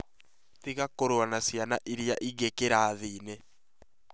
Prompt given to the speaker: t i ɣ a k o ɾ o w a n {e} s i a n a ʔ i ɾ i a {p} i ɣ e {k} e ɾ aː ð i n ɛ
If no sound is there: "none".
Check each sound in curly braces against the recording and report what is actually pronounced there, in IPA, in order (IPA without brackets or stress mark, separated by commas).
a, ʔ, k